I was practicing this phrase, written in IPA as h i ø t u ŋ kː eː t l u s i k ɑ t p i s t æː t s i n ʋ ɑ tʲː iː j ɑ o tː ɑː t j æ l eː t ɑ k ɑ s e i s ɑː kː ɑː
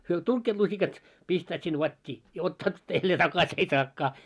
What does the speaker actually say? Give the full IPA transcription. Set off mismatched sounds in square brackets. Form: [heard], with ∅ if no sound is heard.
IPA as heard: h [y] ø t u ŋ kː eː t l u s i k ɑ t p i s t æː t s i n ʋ ɑ tʲː iː j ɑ o tː ɑː t j æ [lː] eː t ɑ k ɑ s e i s ɑː kː ɑː